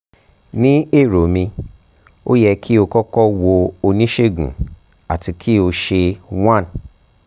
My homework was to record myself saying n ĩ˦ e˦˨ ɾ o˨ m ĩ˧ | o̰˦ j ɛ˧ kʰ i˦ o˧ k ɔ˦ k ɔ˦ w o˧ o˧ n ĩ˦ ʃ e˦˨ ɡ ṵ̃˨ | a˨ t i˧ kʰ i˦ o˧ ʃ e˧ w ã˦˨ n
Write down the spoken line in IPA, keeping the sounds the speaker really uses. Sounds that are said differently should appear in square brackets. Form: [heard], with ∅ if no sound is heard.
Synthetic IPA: n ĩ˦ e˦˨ ɾ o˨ m ĩ˧ | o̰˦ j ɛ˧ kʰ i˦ o˧ k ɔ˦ k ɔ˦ w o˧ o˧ n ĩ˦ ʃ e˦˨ ɡ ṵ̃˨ | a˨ t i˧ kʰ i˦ o˧ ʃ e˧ w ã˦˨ n

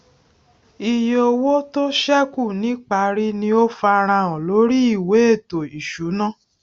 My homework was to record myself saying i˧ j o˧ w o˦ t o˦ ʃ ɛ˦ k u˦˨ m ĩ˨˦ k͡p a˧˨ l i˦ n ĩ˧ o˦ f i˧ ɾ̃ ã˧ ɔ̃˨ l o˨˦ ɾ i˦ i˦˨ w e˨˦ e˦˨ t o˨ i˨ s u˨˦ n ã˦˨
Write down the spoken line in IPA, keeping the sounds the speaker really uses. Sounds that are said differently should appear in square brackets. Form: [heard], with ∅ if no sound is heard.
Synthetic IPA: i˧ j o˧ w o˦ t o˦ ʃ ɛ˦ k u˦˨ [n] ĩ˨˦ k͡p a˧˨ [ɾ] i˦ n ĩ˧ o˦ f [a˧] ɾ̃ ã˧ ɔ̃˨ l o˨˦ ɾ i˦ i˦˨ w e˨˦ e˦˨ t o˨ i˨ [ʃ] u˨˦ n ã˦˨

